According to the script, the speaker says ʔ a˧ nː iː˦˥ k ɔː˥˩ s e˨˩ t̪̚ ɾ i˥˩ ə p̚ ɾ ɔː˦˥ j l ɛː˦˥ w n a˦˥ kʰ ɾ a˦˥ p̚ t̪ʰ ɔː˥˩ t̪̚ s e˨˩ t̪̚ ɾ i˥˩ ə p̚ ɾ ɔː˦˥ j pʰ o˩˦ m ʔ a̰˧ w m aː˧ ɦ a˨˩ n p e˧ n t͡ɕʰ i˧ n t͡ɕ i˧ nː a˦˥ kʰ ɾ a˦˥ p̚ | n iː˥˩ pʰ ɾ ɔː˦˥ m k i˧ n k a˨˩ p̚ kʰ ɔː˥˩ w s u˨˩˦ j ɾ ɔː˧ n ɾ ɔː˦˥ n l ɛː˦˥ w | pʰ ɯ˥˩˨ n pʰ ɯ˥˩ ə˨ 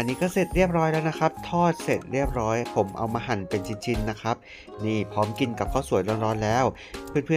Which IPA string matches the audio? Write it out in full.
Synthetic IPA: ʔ a˧ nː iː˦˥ k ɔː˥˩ s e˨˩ t̪̚ ɾ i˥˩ ə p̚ ɾ ɔː˦˥ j l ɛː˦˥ w n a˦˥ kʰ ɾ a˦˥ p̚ t̪ʰ ɔː˥˩ t̪̚ s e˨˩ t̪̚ ɾ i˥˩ ə p̚ ɾ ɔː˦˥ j pʰ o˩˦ m ʔ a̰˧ w m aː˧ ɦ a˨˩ n p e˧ n t͡ɕʰ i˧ n t͡ɕʰ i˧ nː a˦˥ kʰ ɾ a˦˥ p̚ | n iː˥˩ pʰ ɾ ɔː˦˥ m k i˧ n k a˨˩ p̚ kʰ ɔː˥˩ w s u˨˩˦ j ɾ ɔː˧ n ɾ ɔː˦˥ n l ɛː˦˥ w | pʰ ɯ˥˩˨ n pʰ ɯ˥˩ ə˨

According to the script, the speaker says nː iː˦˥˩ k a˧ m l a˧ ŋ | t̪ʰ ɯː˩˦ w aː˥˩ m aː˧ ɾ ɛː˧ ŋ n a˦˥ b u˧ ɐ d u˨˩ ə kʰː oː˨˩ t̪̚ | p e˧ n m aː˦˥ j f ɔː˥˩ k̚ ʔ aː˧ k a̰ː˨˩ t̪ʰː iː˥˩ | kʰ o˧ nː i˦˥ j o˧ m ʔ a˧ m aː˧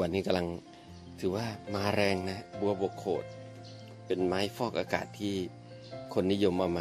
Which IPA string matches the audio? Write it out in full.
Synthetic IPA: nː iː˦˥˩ k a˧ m l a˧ ŋ | t̪ʰ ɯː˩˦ w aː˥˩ m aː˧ ɾ ɛː˧ ŋ n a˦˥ b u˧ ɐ b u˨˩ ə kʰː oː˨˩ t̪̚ | p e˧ n m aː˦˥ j f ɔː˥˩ k̚ ʔ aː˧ k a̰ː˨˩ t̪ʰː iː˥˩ | kʰ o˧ nː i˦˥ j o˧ m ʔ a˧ m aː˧

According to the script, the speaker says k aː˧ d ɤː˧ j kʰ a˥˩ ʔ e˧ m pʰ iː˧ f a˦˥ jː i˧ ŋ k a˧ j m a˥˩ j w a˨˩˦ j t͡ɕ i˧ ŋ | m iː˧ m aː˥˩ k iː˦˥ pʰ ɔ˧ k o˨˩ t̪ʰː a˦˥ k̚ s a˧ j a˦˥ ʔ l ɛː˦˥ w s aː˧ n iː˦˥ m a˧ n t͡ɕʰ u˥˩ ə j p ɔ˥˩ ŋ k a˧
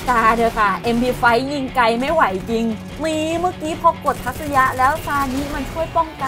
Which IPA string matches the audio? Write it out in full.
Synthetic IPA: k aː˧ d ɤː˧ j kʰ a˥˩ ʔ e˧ m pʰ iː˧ f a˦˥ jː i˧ ŋ k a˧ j m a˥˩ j w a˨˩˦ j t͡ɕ i˧ ŋ | m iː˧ m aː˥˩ k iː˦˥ pʰ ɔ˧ k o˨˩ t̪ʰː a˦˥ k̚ s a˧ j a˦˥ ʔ l ɛː˦˥ w s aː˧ n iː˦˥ m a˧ n t͡ɕʰ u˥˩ ə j p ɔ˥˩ ŋ k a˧

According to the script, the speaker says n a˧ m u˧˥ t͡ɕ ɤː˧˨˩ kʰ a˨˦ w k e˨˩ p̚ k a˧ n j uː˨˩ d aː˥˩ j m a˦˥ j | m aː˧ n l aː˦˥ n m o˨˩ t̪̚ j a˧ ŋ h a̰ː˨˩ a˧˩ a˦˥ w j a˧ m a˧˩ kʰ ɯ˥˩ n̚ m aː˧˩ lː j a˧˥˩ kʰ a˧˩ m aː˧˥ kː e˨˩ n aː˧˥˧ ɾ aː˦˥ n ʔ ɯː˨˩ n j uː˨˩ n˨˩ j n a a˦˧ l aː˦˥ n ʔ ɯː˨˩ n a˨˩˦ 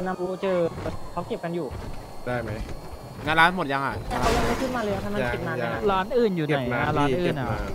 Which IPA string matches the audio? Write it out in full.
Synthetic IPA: n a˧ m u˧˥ t͡ɕ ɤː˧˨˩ kʰ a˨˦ w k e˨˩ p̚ k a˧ n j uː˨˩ d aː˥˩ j m a˦˥ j | ŋ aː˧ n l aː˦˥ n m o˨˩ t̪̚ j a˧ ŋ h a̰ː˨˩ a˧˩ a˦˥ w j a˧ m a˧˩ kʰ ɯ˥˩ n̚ m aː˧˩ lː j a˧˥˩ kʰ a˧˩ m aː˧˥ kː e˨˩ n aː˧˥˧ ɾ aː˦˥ n ʔ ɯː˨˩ n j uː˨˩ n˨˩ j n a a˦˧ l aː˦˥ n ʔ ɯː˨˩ n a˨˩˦

